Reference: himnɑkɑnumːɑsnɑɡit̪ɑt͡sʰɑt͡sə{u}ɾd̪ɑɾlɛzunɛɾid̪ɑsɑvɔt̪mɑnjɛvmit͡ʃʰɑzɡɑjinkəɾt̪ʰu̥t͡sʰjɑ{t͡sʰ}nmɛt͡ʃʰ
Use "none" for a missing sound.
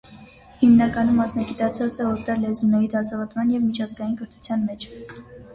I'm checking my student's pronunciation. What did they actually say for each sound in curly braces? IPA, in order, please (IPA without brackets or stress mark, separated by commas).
ɔ, none